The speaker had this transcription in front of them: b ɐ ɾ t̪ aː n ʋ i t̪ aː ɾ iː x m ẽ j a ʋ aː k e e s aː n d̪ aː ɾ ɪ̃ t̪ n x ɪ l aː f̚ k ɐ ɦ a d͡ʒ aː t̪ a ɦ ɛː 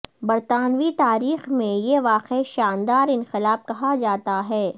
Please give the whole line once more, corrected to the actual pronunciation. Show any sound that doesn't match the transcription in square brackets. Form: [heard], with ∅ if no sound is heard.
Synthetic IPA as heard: b ɐ ɾ t̪ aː n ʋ i t̪ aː ɾ iː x m ẽ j [e] ʋ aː [q] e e [ʃ] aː n d̪ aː ɾ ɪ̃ [∅] n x ɪ l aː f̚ k ɐ ɦ a d͡ʒ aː t̪ a ɦ ɛː